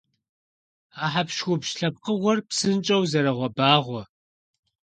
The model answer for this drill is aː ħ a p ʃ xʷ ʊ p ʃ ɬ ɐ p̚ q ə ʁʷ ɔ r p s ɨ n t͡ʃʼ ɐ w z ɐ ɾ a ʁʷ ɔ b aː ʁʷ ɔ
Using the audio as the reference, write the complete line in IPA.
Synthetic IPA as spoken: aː ħ a p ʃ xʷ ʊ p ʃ ɬ ɐ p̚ q ə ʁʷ ɔ r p s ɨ n t͡ʃʼ ɐ w z ɐ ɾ ɐ ʁʷ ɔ b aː ʁʷ ɔ